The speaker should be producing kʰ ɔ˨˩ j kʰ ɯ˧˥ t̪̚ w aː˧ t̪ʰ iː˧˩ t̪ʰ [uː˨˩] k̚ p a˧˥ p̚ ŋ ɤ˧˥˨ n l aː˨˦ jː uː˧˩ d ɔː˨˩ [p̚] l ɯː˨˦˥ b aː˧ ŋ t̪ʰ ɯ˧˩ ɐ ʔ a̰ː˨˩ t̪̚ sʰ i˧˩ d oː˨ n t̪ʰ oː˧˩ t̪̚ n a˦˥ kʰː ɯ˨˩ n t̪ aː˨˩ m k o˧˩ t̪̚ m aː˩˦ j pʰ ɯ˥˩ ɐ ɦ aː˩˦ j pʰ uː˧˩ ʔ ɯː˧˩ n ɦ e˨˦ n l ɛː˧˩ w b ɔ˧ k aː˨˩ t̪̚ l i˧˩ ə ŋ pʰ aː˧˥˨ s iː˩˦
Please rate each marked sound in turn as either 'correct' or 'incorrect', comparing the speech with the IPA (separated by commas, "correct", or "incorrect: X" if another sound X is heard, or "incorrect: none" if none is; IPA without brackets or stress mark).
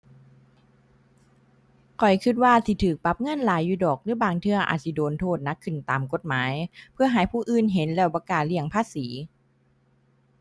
incorrect: ɯː˨˩, incorrect: k̚